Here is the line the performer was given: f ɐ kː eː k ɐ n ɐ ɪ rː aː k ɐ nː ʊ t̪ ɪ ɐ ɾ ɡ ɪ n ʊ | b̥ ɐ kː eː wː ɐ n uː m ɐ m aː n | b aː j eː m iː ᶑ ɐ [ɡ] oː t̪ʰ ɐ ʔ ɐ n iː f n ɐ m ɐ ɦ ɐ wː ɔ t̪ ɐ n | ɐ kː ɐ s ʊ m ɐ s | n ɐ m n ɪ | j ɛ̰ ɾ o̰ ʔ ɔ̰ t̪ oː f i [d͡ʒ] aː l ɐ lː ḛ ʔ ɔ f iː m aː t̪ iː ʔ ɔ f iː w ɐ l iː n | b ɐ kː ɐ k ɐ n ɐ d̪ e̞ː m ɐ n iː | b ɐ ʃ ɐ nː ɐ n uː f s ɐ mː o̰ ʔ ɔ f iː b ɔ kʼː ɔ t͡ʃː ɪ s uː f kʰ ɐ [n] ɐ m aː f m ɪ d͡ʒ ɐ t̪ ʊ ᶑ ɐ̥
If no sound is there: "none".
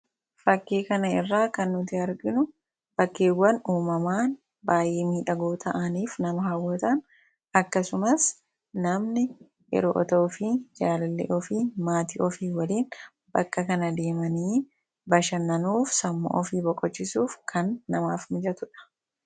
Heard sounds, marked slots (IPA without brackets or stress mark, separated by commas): ɡ, d͡ʒ, nː